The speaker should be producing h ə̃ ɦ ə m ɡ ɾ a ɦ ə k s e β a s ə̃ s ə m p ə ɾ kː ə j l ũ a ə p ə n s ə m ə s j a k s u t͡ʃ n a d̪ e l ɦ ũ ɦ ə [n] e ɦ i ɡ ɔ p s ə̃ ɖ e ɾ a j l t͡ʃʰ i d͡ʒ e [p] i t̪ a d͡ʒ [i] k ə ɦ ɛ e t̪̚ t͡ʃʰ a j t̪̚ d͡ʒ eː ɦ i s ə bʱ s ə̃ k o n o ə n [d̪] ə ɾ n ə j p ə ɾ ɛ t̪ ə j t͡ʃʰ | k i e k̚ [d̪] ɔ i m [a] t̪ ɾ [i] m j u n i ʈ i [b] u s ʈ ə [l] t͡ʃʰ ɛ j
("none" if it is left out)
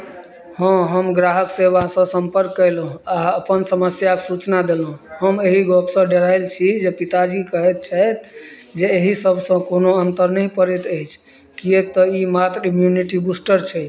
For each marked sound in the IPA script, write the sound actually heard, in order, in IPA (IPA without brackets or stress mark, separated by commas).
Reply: m, p, i, t̪, t̪, a, i, b, ɾ